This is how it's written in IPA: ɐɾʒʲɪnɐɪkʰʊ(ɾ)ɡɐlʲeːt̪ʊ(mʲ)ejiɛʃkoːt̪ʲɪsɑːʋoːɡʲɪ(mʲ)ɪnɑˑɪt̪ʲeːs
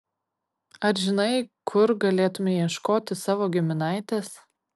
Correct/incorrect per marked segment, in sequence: correct, correct, correct

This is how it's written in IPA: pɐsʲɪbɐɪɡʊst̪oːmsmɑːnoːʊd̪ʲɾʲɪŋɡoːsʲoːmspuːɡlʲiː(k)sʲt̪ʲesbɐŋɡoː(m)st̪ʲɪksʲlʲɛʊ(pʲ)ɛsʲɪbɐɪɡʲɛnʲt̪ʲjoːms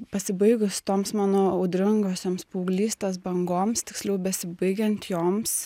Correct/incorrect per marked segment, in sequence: incorrect: none, correct, incorrect: bʲ

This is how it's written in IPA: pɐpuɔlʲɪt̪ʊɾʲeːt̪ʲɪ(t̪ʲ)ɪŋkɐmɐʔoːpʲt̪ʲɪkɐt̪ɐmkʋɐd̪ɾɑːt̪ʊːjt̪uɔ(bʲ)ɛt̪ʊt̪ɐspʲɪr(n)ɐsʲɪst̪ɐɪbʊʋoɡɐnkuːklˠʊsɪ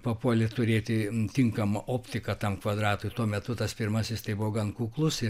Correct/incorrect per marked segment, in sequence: correct, incorrect: mʲ, incorrect: m

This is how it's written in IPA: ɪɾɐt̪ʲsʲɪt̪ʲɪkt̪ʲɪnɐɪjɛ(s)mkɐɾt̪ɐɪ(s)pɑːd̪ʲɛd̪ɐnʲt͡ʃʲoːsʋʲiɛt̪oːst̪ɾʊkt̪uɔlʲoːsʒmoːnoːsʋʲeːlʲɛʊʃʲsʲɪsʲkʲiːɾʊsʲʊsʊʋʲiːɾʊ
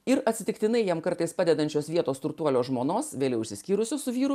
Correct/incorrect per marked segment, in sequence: incorrect: none, correct

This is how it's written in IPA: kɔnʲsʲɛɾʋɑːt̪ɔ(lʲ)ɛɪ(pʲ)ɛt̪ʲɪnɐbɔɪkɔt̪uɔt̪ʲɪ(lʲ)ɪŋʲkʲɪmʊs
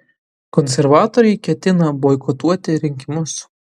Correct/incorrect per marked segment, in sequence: incorrect: ɾʲ, incorrect: kʲ, incorrect: ɾʲ

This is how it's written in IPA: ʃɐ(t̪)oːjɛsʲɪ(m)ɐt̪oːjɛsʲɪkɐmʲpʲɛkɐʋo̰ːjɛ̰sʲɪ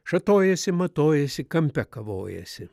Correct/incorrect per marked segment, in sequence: correct, correct

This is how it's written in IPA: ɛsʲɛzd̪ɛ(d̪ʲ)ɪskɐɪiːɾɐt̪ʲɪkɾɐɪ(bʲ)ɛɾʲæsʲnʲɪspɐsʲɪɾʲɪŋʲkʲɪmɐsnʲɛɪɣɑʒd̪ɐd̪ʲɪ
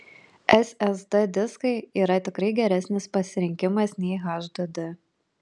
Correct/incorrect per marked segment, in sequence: correct, incorrect: ɡʲ

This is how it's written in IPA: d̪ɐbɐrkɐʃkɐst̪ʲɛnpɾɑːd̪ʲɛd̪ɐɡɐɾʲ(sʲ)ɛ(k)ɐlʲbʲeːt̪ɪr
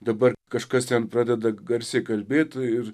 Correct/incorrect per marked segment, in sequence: correct, correct

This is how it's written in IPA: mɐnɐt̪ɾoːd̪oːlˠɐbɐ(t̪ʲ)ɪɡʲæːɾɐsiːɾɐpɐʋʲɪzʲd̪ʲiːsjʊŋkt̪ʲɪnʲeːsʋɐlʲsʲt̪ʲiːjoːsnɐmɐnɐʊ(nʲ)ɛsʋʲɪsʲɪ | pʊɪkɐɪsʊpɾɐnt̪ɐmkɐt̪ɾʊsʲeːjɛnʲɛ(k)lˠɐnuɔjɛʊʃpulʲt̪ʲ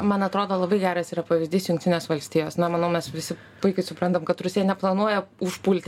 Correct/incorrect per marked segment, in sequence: incorrect: none, incorrect: mʲ, incorrect: p

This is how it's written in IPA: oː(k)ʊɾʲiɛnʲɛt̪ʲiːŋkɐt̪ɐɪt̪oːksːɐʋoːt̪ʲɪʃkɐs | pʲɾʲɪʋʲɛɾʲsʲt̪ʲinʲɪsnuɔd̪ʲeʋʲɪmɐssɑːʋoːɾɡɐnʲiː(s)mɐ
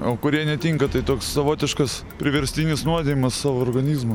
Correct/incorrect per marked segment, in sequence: correct, incorrect: z

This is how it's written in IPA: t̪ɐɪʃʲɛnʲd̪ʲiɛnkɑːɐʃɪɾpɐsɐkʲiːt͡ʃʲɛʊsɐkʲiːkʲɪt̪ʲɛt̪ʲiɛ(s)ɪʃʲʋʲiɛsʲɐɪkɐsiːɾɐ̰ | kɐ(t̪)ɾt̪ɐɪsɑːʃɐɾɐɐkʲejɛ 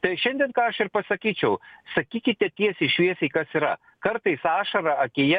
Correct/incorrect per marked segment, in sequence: correct, incorrect: none

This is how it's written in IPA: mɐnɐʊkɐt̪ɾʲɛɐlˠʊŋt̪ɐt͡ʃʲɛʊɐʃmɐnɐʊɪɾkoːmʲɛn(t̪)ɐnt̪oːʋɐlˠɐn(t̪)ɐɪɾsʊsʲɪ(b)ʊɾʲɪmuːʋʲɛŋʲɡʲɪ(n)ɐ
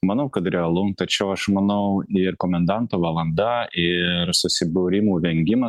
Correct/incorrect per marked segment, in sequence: incorrect: d̪, incorrect: d̪, correct, incorrect: m

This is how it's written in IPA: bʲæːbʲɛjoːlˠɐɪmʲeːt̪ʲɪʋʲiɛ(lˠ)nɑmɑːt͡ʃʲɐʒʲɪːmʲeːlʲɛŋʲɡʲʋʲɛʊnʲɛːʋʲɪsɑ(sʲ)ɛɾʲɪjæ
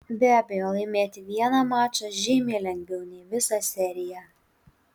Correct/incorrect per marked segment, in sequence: incorrect: none, correct

